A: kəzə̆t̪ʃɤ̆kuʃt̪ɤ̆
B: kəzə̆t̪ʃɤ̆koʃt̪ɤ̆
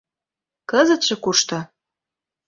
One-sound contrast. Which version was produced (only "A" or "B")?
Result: A